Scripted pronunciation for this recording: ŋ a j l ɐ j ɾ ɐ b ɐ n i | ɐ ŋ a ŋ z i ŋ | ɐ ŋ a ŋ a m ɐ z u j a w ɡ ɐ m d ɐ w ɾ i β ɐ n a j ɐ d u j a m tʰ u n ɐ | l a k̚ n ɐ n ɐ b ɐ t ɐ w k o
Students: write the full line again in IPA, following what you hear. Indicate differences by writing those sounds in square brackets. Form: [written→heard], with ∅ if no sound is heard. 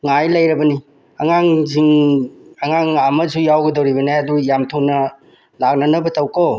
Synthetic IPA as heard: ŋ a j l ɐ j ɾ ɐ b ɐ n i | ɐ ŋ a ŋ z i ŋ | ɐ ŋ a ŋ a m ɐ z u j a w ɡ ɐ [m→∅] d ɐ w ɾ i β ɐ n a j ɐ d u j a m tʰ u n ɐ | l a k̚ n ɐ n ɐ b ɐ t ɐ w k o